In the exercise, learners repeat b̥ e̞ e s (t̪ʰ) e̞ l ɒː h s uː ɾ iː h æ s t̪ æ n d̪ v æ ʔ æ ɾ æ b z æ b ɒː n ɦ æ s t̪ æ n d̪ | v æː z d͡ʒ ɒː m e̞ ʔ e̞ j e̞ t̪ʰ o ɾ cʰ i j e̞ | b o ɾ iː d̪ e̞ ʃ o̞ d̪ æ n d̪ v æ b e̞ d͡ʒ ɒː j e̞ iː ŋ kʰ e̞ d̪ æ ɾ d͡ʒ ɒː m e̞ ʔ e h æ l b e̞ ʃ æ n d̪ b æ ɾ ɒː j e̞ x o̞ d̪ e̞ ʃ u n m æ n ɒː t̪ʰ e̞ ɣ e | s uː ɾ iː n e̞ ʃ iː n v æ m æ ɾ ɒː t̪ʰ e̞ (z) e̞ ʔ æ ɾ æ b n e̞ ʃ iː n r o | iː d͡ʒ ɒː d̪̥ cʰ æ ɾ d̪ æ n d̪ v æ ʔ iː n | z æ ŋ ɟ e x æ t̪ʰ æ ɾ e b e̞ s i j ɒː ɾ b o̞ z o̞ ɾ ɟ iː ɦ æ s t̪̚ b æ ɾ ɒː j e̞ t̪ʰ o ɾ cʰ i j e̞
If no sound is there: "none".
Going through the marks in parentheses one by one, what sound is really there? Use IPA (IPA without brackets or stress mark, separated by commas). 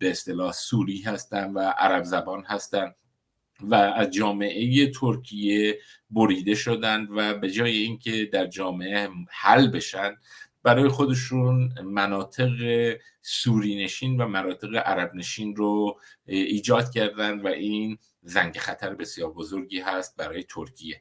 t̪, ɣ